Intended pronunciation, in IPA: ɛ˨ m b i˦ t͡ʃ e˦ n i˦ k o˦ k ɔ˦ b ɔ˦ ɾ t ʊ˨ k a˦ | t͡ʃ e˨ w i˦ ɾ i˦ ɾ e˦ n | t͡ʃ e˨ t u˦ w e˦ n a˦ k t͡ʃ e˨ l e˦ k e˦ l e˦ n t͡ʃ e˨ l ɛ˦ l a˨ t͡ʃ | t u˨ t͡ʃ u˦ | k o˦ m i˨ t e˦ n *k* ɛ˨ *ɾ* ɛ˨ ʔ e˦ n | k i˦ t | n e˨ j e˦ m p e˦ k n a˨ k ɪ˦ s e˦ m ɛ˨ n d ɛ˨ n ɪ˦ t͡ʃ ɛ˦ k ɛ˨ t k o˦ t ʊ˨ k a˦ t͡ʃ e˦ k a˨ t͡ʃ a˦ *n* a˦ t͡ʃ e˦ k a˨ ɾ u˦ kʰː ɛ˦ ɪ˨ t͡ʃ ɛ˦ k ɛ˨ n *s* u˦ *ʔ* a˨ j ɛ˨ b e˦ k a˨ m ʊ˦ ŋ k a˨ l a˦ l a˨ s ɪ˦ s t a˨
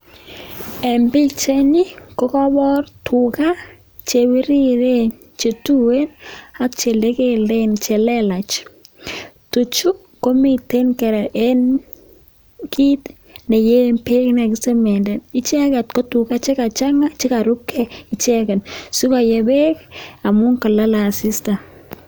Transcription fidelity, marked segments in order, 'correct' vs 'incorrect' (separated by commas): correct, correct, incorrect, correct, incorrect